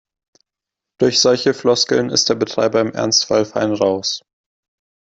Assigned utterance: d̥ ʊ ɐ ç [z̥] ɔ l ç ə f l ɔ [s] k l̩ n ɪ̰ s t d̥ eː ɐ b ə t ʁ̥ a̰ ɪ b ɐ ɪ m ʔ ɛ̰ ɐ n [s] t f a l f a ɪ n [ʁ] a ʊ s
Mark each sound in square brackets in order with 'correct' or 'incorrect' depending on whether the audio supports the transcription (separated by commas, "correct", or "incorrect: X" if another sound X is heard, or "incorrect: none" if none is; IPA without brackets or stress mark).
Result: correct, correct, correct, correct